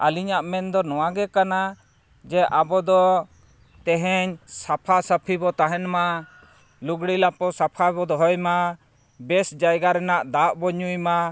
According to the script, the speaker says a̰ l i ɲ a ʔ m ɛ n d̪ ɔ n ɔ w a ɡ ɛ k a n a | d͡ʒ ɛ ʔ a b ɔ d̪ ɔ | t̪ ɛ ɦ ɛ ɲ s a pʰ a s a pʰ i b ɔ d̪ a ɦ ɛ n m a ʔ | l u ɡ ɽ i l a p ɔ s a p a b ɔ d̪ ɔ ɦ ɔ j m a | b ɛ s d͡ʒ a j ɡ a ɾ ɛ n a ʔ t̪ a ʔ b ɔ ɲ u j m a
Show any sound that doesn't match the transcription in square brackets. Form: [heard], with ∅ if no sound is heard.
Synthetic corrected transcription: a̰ l i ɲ a ʔ m ɛ n d̪ ɔ n ɔ w a ɡ ɛ k a n a | d͡ʒ ɛ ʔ a b ɔ d̪ ɔ | t̪ ɛ ɦ ɛ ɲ s a pʰ a s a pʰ i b ɔ [t̪] a ɦ ɛ n m a [∅] | l u ɡ ɽ i l a p ɔ s a [pʰ] a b ɔ d̪ ɔ ɦ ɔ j m a | b ɛ s d͡ʒ a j ɡ a ɾ ɛ n a ʔ [d̪] a ʔ b ɔ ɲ u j m a